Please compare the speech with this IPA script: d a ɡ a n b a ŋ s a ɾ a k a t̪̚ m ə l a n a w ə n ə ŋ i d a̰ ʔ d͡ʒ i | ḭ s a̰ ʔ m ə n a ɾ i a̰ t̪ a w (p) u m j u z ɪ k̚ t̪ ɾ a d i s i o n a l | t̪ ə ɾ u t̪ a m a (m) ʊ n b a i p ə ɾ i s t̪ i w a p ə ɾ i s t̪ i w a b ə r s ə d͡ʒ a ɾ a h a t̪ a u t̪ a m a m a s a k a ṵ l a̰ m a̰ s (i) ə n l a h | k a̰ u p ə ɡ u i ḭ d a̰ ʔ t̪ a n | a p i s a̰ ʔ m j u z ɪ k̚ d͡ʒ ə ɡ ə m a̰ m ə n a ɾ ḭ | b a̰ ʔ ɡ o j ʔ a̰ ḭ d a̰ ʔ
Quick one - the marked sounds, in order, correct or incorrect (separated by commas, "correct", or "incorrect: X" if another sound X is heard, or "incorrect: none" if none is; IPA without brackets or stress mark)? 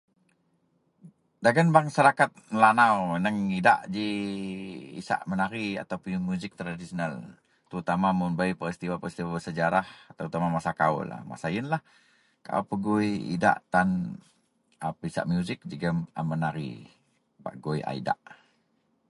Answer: correct, correct, incorrect: a